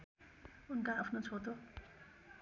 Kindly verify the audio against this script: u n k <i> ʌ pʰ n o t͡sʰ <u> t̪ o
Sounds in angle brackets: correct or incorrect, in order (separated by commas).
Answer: incorrect, incorrect